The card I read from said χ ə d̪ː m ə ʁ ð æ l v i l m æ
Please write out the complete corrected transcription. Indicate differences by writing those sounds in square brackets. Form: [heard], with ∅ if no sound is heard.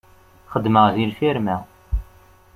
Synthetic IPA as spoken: χ ə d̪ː m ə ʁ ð [i] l [f] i [ɾ] m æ